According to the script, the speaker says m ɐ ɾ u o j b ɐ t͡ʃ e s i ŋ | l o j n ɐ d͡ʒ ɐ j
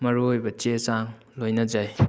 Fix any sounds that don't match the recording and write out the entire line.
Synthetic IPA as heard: m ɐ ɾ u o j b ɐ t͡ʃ e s a ŋ | l o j n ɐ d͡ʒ a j